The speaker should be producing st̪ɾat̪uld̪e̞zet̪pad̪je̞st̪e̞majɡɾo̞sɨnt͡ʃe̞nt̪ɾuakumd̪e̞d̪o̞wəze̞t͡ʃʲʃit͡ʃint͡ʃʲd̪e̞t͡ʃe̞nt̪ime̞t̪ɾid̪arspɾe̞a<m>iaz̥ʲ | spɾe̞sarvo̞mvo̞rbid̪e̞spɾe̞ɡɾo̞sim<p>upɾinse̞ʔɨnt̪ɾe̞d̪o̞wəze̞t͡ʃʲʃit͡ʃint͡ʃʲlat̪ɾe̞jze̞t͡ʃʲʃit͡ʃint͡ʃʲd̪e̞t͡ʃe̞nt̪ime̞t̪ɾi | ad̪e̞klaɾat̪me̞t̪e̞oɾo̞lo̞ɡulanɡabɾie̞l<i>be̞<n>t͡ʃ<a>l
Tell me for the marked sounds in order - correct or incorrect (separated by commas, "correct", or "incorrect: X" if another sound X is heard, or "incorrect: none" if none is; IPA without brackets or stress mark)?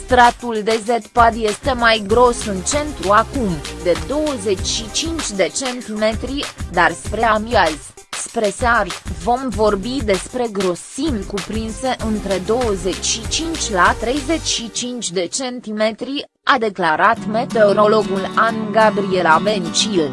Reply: correct, incorrect: k, incorrect: a, correct, incorrect: i